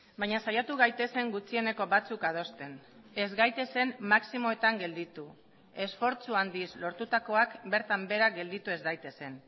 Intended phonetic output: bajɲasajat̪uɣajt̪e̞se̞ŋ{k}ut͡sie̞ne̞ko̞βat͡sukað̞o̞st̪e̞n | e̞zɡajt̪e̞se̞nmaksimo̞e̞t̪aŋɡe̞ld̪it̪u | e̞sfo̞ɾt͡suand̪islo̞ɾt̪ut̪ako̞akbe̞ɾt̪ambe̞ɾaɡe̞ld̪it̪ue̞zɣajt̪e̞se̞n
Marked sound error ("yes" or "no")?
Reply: yes